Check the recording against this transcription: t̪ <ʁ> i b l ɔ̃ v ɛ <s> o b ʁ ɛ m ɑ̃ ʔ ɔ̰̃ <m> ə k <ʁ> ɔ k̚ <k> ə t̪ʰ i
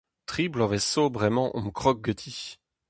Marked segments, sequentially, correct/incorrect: incorrect, correct, correct, incorrect, incorrect

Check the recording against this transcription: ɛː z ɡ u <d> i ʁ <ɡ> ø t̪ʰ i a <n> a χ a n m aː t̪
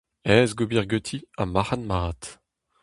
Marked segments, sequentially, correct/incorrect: incorrect, correct, incorrect

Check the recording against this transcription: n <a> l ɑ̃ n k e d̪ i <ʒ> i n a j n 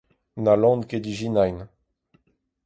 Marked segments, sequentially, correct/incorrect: correct, correct

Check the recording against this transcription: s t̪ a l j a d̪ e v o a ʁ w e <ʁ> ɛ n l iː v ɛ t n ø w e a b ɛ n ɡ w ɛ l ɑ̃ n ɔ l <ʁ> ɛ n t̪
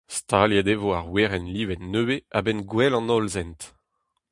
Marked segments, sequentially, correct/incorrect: correct, incorrect

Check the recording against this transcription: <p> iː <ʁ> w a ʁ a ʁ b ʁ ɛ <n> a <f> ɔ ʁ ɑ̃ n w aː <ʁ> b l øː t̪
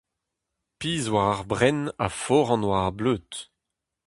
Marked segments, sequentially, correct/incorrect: correct, incorrect, correct, correct, correct

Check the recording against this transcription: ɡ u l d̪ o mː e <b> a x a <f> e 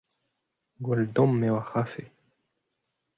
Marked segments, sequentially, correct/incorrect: incorrect, correct

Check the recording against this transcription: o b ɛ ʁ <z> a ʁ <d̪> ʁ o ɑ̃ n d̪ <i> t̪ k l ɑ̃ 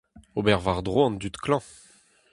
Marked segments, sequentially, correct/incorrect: incorrect, correct, incorrect

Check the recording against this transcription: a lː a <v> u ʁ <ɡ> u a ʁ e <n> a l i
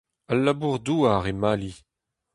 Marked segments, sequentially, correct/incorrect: incorrect, incorrect, incorrect

